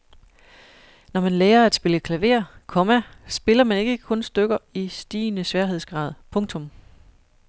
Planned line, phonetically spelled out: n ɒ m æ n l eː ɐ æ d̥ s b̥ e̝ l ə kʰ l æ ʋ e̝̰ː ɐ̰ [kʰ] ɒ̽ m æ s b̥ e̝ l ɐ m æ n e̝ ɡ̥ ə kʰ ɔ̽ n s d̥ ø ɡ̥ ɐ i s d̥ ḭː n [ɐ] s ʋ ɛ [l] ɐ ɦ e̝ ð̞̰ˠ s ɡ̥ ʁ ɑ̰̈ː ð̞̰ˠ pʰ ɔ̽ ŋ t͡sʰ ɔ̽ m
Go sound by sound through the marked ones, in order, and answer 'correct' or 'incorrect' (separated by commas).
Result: correct, incorrect, incorrect